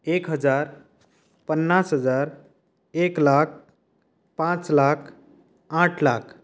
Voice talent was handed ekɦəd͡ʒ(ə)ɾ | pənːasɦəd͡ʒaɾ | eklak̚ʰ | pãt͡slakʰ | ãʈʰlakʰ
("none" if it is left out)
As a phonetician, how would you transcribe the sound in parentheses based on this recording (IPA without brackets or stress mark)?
a